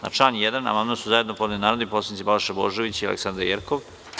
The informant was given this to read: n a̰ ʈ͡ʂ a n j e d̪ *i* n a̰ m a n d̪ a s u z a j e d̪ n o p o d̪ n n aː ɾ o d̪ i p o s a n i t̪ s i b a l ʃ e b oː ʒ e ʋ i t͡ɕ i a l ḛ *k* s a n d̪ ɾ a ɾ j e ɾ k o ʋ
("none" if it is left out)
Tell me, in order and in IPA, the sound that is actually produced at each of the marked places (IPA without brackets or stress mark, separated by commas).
a, k